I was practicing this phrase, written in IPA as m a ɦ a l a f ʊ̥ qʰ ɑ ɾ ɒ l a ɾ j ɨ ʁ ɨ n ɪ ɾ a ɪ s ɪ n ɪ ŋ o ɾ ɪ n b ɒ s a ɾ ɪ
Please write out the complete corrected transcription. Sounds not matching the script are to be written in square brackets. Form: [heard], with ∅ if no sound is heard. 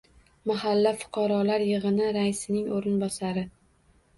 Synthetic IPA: m a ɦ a [lː] a f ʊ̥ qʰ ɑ ɾ ɒ l a ɾ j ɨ ʁ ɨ n ɪ ɾ a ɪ s ɪ n ɪ ŋ o ɾ ɪ n b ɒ s a ɾ ɪ